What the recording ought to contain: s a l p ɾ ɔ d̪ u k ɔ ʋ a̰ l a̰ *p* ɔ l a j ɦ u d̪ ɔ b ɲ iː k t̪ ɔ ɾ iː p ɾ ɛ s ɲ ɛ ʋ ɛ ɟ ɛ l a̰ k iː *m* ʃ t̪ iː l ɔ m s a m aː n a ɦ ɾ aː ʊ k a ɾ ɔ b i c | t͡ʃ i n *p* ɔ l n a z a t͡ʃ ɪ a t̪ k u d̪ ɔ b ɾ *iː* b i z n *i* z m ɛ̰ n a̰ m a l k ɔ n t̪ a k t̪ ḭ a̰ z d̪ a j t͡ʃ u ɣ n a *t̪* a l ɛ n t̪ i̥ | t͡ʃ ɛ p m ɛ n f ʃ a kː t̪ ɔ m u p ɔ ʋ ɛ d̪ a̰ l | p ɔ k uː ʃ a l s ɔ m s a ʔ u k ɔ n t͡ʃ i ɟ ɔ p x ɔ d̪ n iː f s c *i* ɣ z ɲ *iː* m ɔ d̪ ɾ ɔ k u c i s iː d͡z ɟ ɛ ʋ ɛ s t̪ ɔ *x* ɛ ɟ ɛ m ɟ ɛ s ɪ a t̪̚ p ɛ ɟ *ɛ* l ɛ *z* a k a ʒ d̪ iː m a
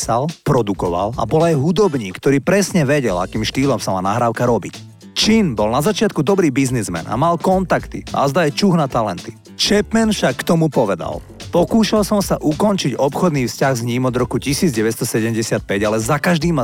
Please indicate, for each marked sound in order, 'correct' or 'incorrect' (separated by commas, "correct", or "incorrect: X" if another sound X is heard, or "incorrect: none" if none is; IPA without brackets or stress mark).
incorrect: b, correct, incorrect: b, correct, correct, correct, incorrect: a, correct, incorrect: s, incorrect: a, correct